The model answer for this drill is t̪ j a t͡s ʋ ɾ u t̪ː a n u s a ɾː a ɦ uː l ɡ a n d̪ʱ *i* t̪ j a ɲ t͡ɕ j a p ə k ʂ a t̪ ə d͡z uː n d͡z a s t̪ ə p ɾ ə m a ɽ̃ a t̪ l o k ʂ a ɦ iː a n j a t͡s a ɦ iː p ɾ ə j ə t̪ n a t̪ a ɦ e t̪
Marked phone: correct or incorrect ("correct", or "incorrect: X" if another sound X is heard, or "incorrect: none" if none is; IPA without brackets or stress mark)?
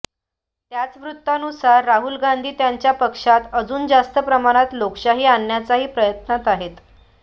incorrect: iː